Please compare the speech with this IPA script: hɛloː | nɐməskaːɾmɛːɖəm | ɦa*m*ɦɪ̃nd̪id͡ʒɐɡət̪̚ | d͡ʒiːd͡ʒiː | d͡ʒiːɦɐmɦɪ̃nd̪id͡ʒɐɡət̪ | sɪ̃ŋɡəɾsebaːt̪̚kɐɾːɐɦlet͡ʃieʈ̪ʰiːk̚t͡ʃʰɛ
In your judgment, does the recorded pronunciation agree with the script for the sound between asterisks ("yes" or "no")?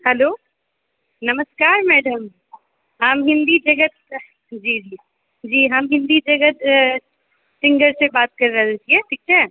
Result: yes